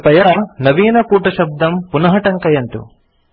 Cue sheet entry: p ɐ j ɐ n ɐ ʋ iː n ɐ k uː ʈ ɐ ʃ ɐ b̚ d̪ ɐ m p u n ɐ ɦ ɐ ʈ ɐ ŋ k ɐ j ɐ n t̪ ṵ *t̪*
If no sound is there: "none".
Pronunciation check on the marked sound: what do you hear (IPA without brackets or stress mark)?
none